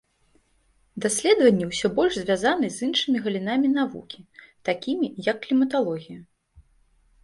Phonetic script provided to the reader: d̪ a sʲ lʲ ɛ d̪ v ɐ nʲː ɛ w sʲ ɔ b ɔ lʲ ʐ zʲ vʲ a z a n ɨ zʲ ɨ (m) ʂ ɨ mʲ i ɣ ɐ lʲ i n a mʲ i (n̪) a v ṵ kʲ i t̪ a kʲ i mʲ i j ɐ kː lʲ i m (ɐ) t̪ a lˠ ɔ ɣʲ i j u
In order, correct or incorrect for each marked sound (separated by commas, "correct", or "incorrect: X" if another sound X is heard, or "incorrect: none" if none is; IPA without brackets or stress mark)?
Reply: incorrect: n, correct, correct